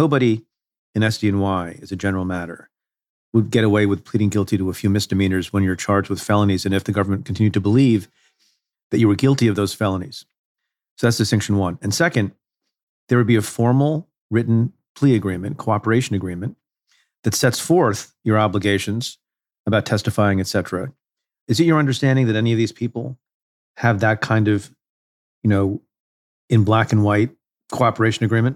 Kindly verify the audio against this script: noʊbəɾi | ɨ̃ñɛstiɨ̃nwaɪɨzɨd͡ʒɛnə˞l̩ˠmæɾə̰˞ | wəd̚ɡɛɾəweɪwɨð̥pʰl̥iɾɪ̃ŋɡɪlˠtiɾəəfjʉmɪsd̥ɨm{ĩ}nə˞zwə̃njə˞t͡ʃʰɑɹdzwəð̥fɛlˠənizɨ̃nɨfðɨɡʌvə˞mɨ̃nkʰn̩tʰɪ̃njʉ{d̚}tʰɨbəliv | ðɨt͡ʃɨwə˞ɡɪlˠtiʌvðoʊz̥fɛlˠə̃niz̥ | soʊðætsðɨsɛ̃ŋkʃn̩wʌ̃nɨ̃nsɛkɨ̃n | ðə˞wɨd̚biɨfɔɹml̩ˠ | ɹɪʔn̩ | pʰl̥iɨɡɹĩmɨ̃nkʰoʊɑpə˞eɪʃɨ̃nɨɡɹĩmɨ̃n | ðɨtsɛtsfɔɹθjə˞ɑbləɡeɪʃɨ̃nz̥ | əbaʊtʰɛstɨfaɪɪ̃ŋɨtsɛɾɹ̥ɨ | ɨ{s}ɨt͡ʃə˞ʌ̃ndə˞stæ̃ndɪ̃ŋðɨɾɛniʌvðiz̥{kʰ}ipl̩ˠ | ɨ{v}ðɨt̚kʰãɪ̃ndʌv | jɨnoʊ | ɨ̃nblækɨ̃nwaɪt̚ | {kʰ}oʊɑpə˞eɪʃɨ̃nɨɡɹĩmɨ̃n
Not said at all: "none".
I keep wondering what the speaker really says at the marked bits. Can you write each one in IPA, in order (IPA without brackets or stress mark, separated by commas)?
ĩ, d̚, z, pʰ, v, kʰ